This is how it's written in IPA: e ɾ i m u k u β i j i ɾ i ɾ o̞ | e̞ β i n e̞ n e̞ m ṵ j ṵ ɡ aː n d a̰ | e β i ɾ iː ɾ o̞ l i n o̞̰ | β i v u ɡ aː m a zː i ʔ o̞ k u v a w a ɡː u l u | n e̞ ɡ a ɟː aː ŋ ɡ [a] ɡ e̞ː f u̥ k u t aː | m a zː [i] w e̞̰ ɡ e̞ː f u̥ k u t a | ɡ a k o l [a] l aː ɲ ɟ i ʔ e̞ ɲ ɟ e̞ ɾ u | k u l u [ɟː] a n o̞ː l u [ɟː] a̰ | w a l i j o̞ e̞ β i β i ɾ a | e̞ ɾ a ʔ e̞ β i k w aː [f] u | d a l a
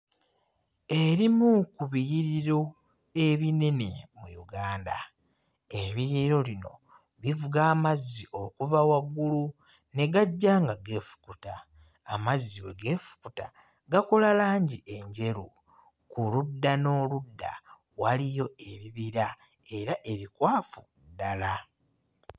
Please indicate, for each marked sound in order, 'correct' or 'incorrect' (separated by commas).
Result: correct, correct, correct, incorrect, incorrect, correct